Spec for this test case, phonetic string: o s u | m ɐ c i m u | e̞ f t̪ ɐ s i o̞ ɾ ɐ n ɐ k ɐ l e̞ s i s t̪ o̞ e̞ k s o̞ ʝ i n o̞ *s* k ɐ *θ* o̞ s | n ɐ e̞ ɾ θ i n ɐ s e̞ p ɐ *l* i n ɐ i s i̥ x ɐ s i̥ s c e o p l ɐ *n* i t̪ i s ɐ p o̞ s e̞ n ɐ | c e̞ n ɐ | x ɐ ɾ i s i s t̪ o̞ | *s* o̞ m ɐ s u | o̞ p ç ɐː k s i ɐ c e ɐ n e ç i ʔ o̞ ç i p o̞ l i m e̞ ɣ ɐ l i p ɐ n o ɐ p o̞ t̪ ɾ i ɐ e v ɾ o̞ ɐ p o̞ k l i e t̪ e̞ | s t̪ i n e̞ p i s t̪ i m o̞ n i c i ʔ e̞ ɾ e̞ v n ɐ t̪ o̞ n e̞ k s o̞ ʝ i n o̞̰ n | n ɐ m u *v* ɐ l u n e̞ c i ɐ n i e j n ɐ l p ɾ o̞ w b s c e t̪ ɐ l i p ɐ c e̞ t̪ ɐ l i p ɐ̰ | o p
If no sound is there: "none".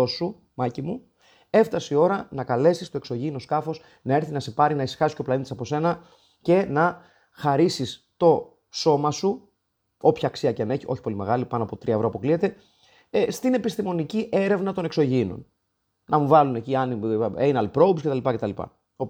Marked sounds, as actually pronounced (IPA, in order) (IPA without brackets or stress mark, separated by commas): s, f, ɾ, n, s, v